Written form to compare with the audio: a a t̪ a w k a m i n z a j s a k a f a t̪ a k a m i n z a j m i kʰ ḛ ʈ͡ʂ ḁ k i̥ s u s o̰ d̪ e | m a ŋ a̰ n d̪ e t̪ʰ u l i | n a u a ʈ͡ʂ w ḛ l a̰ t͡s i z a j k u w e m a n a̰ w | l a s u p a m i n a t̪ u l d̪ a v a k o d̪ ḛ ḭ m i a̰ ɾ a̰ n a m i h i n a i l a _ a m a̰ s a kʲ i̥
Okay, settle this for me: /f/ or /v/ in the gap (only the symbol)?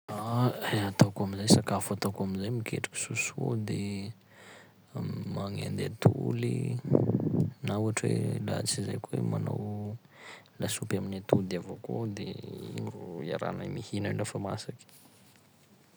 f